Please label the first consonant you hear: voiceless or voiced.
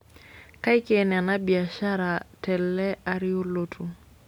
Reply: voiceless